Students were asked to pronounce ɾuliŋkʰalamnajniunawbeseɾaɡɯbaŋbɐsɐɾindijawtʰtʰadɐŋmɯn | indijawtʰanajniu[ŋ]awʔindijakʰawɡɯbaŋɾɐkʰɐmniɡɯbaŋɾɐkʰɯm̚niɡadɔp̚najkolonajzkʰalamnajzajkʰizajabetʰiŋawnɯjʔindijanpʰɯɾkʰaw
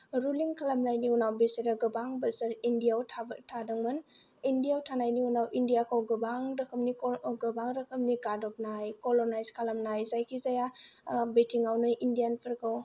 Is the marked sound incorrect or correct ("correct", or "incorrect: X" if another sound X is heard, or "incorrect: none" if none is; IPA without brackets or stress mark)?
incorrect: n